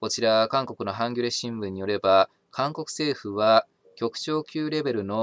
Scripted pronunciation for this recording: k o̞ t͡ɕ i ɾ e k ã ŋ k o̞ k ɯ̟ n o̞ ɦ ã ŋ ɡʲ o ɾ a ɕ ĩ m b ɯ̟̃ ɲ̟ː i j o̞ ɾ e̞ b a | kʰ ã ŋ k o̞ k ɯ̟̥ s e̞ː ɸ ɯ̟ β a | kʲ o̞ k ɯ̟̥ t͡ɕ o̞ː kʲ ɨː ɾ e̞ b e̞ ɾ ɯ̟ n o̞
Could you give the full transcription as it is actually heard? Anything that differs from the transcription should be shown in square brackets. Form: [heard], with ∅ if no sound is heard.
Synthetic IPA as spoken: k o̞ t͡ɕ i ɾ [a] k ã ŋ k o̞ k ɯ̟ n o̞ ɦ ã ŋ ɡʲ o ɾ [e] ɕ ĩ m b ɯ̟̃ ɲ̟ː i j o̞ ɾ e̞ b a | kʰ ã ŋ k o̞ k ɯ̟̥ s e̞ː ɸ ɯ̟ β a | kʲ o̞ k ɯ̟̥ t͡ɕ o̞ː kʲ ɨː ɾ e̞ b e̞ ɾ ɯ̟ n o̞